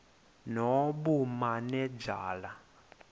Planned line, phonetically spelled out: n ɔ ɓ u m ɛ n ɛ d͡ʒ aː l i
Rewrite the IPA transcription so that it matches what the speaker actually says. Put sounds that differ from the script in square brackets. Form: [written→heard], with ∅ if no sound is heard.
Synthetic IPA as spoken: n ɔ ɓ u m [ɛ→a] n ɛ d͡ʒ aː l [i→a]